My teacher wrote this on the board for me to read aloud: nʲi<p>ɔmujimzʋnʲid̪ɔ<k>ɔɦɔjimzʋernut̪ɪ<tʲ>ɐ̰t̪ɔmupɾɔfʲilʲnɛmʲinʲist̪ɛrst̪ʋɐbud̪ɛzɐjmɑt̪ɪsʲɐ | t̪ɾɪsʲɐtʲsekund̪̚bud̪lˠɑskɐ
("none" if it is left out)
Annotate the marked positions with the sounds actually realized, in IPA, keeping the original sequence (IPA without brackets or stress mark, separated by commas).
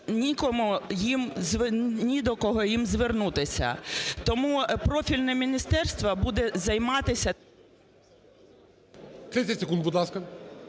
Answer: k, k, sʲ